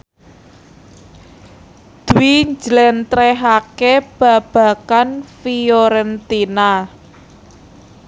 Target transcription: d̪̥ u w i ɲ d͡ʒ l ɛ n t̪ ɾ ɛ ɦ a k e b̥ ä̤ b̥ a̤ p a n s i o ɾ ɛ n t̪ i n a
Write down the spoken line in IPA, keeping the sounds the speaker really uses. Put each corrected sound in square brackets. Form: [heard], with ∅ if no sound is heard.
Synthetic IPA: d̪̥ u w i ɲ d͡ʒ l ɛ n t̪ ɾ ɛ ɦ a k e b̥ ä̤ b̥ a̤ [k] a n [f] i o ɾ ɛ n t̪ i n a

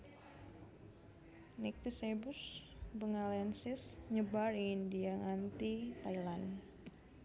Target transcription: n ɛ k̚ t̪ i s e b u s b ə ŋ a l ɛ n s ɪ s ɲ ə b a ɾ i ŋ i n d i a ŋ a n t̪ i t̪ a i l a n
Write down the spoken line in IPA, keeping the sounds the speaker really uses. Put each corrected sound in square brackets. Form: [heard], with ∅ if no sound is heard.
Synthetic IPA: n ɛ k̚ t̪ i s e b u s b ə ŋ a l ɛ n s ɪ s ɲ ə b a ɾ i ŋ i n d i a ŋ a n t̪ i t̪ a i l a n

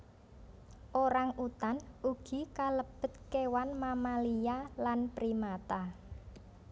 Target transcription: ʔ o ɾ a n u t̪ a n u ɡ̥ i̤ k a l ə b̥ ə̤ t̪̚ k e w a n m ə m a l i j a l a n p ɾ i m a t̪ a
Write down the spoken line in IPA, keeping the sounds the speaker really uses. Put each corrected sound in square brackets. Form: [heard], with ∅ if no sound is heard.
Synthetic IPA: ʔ o ɾ a [ŋ] u t̪ a n u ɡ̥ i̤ k a l ə b̥ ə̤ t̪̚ k e w a n m [a] m a l i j a l a n p ɾ i m a t̪ a

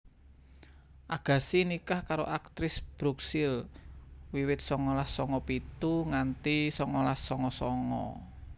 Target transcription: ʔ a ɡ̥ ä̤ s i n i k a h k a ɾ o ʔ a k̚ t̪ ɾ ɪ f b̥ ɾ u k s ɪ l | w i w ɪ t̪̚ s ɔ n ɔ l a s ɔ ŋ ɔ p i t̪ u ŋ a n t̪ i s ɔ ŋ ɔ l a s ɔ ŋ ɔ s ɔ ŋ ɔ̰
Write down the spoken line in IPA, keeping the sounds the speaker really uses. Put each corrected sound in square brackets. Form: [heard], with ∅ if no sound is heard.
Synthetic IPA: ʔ a ɡ̥ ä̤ s i n i k a h k a ɾ o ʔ a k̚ t̪ ɾ ɪ [s] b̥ ɾ u k s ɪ l | w i w ɪ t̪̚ s ɔ [ŋ] ɔ l a s ɔ ŋ ɔ p i t̪ u ŋ a n t̪ i s ɔ ŋ ɔ l a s ɔ ŋ ɔ s ɔ ŋ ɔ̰

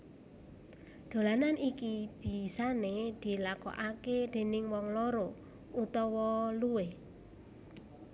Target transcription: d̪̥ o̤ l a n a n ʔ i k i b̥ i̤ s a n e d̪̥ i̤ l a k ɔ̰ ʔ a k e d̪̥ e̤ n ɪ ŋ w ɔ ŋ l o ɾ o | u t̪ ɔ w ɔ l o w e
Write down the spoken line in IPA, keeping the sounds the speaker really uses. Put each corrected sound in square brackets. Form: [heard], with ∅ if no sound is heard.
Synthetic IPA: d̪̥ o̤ l a n a n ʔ i k i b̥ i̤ s a n e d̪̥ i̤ l a k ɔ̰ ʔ a k e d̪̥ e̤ n ɪ ŋ w ɔ ŋ l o ɾ o | u t̪ ɔ w ɔ l [u] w e

